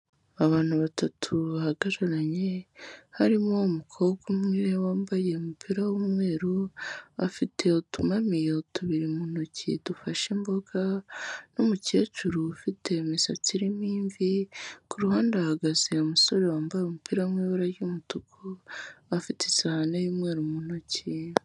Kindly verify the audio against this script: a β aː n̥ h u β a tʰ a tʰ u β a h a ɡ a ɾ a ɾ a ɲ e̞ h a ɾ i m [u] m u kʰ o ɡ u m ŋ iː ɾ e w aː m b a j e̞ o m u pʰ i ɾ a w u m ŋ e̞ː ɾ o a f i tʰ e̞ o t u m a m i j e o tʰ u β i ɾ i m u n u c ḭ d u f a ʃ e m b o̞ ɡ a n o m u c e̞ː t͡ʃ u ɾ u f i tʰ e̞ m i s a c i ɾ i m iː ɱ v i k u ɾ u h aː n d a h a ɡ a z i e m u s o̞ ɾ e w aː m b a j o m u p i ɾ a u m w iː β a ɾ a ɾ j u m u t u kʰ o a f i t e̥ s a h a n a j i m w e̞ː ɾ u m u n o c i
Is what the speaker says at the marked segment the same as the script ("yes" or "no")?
no